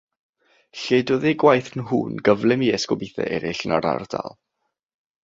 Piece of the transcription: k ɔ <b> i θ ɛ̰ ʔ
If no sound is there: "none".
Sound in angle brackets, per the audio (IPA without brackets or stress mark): b